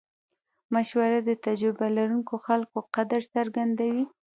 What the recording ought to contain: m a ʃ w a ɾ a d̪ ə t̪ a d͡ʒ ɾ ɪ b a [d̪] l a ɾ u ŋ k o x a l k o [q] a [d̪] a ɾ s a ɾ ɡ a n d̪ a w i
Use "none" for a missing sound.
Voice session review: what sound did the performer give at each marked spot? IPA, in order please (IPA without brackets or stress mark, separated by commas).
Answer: none, q, d̪